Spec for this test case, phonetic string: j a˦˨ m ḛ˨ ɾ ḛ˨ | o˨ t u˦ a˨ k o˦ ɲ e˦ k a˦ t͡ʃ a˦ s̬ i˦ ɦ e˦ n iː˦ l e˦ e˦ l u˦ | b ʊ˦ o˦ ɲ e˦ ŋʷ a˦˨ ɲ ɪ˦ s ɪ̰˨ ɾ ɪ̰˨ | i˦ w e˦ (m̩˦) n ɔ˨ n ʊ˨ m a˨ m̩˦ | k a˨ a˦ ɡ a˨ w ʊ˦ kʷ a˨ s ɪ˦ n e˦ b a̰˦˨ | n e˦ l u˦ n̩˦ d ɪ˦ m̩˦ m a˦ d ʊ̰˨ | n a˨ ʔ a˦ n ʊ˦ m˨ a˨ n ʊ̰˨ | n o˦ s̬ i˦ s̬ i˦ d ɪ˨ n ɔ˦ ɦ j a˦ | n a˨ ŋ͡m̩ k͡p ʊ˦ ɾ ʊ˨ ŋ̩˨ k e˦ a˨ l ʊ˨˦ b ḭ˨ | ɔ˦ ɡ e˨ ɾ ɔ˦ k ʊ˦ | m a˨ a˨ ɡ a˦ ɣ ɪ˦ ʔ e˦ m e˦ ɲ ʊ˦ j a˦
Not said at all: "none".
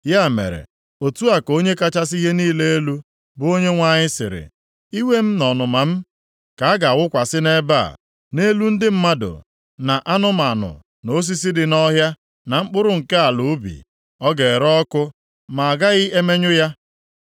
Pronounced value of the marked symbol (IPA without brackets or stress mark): m̩˦